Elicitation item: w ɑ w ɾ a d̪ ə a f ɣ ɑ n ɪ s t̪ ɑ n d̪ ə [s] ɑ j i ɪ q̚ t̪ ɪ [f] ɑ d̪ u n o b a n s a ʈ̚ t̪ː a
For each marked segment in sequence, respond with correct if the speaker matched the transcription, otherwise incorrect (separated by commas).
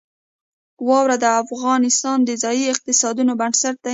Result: incorrect, incorrect